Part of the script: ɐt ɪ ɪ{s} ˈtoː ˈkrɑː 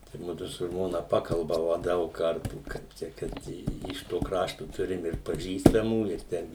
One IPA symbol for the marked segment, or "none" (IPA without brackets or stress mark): ʃ